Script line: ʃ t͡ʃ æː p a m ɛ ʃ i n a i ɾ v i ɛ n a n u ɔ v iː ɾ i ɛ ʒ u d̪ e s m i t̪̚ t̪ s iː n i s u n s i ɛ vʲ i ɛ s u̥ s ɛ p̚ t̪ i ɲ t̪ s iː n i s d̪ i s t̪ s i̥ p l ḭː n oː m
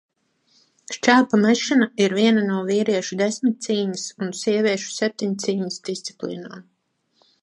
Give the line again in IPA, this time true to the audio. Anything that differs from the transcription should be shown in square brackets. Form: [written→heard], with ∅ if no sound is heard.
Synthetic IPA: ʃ t͡ʃ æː p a m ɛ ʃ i n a i ɾ v i ɛ n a n u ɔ v iː ɾ i ɛ [ʒ→ʃ] u d̪ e s m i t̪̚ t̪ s iː [n→ɲ] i s u n s i ɛ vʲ i ɛ [s→ʃ] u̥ s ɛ p̚ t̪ i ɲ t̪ s iː [n→ɲ] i s d̪ i s t̪ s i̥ p l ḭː n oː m